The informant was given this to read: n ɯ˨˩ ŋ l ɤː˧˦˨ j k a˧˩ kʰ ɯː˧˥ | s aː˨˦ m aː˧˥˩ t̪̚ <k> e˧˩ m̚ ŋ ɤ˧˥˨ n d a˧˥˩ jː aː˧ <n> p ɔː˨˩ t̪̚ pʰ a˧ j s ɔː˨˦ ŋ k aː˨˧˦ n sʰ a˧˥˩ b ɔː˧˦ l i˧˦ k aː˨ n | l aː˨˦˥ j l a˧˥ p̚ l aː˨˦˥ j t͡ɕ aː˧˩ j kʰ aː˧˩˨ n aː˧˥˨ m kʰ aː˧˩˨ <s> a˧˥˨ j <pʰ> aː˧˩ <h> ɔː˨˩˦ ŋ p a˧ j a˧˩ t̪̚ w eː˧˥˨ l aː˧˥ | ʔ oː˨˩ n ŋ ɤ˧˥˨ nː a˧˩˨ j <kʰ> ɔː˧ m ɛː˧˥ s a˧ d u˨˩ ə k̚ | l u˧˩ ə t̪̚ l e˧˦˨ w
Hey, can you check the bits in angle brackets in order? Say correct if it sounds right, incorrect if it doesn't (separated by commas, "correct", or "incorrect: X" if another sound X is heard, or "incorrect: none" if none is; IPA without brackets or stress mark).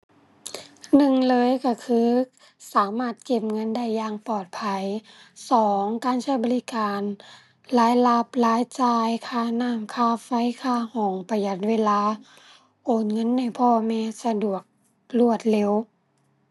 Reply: correct, incorrect: ŋ, incorrect: f, incorrect: kʰ, correct, incorrect: pʰ